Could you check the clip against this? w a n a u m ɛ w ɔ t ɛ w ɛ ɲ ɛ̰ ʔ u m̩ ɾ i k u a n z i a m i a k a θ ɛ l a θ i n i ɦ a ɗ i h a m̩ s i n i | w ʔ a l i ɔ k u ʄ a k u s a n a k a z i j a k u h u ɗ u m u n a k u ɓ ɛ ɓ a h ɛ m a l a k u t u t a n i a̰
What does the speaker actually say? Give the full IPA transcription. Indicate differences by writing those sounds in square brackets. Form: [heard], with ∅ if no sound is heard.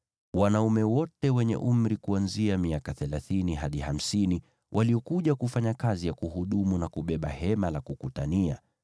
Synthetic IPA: w a n a u m ɛ w ɔ t ɛ w ɛ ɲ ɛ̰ ʔ u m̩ ɾ i k u a n z i a m i a k a θ ɛ l a θ i n i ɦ a ɗ i h a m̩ s i n i | w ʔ a l i ɔ k u ʄ a k u [f] a [ɲ] a k a z i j a k u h u ɗ u m u n a k u ɓ ɛ ɓ a h ɛ m a l a k u [k] u t a n i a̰